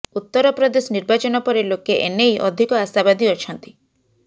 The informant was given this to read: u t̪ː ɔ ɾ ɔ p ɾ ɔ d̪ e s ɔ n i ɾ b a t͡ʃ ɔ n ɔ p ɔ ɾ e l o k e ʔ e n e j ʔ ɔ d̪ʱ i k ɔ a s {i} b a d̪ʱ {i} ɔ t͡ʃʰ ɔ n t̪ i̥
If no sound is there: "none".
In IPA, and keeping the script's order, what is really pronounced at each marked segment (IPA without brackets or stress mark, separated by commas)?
a, i